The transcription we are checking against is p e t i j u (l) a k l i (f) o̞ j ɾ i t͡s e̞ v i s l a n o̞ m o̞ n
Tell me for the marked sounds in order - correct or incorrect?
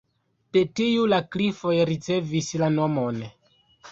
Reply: correct, correct

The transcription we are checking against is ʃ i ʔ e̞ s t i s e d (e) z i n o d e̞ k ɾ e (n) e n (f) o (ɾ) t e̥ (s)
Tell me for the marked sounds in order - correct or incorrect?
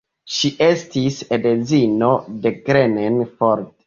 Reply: correct, correct, correct, correct, incorrect: none

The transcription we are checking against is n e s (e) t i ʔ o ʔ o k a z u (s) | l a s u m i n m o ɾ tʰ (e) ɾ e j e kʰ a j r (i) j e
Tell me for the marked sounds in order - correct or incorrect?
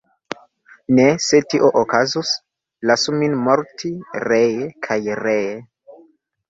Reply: correct, correct, incorrect: i, incorrect: e

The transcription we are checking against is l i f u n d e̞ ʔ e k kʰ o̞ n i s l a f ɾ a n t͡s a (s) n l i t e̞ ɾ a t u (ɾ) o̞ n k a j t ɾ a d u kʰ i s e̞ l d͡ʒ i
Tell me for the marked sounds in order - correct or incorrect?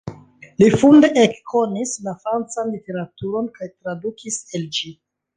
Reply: incorrect: none, correct

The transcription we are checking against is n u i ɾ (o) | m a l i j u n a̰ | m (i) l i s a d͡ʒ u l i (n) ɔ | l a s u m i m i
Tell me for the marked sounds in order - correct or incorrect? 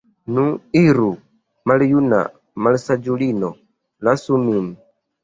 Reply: incorrect: u, incorrect: a, correct

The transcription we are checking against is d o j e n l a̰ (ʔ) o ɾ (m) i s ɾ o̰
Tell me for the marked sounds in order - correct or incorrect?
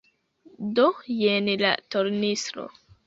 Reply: incorrect: t, incorrect: n

